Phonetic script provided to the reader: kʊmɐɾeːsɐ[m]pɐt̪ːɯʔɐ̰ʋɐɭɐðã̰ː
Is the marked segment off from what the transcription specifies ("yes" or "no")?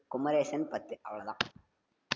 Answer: yes